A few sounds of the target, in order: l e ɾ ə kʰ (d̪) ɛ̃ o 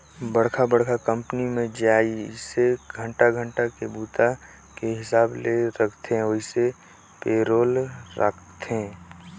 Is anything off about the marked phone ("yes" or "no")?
yes